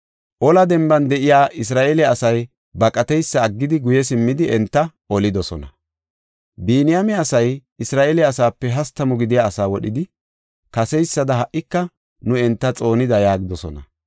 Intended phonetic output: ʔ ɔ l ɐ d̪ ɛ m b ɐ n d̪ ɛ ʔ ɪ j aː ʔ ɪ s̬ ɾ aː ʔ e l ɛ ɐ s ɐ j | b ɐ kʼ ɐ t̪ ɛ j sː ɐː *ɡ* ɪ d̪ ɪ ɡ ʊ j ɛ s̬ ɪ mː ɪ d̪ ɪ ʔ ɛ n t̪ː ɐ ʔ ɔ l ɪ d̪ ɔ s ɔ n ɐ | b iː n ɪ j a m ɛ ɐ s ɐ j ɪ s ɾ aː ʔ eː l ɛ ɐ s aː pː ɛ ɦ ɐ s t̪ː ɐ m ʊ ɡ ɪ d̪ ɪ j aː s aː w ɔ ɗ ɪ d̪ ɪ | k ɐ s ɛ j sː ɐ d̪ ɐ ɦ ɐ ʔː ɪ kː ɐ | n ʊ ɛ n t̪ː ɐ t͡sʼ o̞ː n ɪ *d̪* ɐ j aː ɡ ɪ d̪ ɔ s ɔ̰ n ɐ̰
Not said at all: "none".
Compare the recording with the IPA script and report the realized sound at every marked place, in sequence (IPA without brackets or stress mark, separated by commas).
ɡː, d̪